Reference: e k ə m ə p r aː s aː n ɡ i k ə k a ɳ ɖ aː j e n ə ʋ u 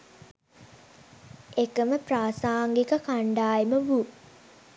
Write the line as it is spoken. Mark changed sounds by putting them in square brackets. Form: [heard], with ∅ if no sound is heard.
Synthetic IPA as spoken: e k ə m ə p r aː s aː [ŋ] ɡ i k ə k a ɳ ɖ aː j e [m] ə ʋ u

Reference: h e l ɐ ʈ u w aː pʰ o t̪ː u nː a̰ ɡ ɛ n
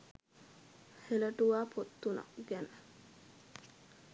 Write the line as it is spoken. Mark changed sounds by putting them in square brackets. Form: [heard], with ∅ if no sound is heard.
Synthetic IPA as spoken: h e l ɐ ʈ u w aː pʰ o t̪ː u [n] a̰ ɡ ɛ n

